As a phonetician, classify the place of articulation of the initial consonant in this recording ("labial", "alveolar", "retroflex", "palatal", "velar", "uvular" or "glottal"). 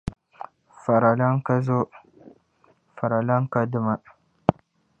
labial